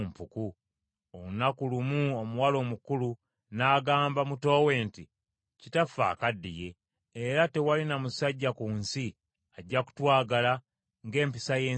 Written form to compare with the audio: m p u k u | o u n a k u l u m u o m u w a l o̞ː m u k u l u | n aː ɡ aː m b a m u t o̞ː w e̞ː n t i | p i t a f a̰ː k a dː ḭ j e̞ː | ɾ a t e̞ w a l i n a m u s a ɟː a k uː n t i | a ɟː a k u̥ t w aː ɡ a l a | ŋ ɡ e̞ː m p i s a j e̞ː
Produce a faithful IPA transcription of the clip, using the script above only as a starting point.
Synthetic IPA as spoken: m p u k u | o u n a k u l u m u o m u w a l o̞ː m u k u l u | n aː ɡ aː m b a m u t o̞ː w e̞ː n t i | c i t a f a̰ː k a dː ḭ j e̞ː | ɾ a t e̞ w a l i n a m u s a ɟː a k uː n s i | a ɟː a k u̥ t w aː ɡ a l a | ŋ ɡ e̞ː m p i s a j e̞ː